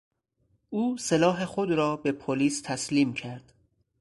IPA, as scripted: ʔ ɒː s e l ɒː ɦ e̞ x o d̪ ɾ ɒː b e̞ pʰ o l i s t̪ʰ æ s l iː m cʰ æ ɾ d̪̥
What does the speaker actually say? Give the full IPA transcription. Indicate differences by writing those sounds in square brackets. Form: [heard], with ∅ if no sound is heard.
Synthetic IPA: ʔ [uː] s e l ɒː ɦ e̞ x o d̪ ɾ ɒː b e̞ pʰ o l [iː] s t̪ʰ æ s l iː m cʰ æ ɾ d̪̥